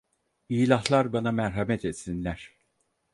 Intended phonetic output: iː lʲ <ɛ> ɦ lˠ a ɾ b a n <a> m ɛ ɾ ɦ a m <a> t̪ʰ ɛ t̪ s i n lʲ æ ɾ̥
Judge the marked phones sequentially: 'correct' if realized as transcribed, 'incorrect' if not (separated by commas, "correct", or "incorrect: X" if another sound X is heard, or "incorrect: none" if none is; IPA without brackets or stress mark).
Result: incorrect: a, correct, incorrect: ɛ